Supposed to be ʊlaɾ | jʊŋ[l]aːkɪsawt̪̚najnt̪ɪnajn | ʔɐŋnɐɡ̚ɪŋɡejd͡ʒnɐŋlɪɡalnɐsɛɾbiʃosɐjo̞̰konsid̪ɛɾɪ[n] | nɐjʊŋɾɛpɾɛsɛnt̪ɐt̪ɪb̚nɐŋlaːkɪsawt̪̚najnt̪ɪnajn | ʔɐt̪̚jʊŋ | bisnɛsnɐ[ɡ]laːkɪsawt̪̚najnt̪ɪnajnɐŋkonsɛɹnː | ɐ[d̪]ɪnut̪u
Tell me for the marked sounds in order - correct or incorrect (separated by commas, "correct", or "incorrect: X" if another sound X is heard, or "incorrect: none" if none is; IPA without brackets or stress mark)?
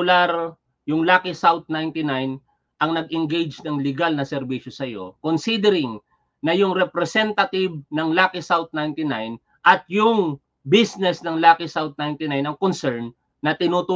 correct, incorrect: ŋ, incorrect: ŋ, incorrect: t̪